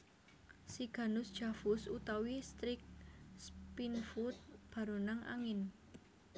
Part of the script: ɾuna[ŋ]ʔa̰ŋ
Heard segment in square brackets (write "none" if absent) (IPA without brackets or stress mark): ŋ